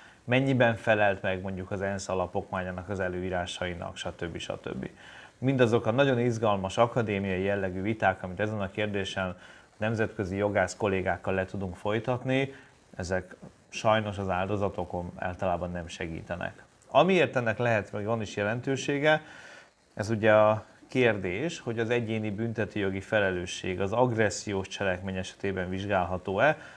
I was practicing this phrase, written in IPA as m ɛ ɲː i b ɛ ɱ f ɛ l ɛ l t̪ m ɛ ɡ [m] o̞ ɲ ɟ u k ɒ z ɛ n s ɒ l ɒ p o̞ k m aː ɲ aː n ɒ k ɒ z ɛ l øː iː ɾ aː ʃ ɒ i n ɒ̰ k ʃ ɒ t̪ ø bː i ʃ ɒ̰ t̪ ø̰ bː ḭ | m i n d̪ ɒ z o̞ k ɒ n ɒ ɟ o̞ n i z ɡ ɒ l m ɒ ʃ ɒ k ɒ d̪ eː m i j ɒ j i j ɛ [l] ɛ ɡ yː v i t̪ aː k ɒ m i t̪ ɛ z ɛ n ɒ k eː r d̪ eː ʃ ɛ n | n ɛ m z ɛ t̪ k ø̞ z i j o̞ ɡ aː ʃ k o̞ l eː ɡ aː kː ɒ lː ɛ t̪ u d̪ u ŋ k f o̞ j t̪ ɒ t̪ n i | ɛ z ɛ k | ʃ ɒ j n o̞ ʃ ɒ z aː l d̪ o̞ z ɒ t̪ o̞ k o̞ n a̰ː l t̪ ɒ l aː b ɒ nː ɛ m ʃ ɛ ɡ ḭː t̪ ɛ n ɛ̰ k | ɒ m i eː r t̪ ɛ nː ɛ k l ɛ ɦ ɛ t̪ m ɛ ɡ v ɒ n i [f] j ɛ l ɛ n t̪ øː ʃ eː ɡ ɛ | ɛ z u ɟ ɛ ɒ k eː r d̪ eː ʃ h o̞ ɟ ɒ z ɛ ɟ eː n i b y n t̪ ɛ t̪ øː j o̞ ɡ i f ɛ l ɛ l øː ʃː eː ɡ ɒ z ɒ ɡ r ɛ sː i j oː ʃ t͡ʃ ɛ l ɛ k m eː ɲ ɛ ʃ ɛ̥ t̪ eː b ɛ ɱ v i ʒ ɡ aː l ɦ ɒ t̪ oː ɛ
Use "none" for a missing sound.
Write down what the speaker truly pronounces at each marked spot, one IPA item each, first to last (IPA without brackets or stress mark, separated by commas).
m, lː, ʃ